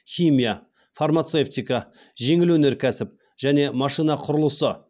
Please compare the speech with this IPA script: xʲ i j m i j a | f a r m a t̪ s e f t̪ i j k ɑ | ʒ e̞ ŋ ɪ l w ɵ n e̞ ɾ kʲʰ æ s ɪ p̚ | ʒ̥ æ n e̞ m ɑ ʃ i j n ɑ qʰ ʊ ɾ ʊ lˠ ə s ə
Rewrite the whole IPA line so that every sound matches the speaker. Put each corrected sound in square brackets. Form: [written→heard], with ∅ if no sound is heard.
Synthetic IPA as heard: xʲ i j m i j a | f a r m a t̪ s e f t̪ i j k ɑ | ʒ e̞ ŋ ɪ l w ɵ n e̞ ɾ kʲʰ æ s ɪ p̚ | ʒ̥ æ n e̞ m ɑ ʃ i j n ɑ qʰ ʊ ɾ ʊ lˠ ə s ə